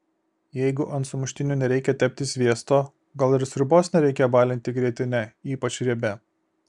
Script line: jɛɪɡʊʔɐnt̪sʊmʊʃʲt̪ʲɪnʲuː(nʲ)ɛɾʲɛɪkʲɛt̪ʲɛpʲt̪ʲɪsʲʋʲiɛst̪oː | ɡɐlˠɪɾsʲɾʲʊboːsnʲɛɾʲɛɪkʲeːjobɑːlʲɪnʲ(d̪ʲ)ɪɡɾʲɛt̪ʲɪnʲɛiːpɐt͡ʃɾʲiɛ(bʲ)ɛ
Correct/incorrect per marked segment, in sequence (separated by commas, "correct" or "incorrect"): correct, incorrect, correct